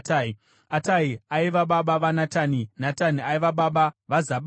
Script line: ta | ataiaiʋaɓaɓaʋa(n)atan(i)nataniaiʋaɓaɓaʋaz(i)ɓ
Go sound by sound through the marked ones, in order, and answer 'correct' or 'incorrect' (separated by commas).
correct, correct, incorrect